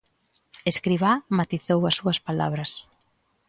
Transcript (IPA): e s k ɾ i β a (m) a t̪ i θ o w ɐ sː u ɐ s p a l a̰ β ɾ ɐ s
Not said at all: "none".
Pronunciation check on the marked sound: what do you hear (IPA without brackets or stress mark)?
m